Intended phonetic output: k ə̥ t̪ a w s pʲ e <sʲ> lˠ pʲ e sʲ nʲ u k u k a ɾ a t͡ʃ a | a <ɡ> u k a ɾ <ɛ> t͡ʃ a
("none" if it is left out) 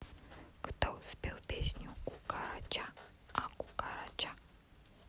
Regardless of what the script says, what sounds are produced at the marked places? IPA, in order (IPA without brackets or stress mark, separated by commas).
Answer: none, k, a